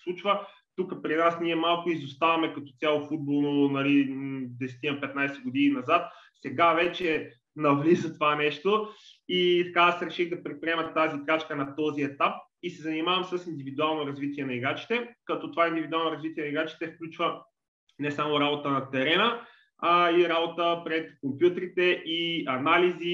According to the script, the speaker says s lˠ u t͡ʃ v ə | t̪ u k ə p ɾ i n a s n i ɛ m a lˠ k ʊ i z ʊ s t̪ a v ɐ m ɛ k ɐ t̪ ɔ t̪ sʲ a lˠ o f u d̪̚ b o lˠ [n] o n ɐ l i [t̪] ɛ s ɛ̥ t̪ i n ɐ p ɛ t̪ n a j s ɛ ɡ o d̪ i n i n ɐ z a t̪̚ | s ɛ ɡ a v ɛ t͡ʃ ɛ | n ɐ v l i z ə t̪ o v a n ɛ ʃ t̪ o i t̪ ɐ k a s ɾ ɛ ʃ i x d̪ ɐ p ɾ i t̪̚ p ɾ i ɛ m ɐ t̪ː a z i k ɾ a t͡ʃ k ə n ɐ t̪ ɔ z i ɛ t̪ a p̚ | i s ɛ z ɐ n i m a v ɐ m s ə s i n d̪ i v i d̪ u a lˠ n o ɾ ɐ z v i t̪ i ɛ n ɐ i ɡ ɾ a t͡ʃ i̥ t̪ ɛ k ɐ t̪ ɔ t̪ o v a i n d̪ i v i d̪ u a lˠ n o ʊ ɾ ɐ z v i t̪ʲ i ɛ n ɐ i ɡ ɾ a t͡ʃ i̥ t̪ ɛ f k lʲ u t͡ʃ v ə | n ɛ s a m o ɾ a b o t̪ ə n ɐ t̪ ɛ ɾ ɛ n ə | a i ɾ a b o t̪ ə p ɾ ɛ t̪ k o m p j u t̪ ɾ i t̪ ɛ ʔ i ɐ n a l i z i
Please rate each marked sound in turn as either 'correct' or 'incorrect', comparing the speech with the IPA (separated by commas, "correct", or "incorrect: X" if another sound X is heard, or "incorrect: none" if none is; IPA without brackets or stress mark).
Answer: correct, incorrect: d̪